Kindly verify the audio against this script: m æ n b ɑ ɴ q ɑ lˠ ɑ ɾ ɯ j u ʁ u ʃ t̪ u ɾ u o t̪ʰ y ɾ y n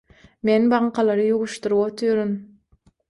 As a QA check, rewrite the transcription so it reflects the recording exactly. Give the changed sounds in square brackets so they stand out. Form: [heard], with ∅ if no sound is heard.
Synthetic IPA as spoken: m [e] n b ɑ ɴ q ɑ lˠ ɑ ɾ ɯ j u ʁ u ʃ t̪ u ɾ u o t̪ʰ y ɾ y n